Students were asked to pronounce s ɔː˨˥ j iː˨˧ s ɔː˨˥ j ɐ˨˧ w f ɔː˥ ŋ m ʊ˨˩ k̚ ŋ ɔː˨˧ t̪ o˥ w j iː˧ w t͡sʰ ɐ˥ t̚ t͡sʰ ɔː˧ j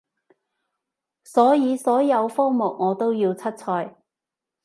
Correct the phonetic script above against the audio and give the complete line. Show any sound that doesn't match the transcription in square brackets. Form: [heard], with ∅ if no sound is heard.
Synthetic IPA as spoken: s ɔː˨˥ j iː˨˧ s ɔː˨˥ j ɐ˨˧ w f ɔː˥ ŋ m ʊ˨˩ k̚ ŋ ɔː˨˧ t̪ o˥ w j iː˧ w t͡sʰ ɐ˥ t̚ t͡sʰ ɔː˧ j